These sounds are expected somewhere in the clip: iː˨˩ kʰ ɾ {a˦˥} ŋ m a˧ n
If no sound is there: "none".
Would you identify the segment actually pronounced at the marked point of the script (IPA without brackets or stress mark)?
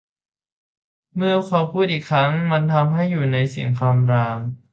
a˦˥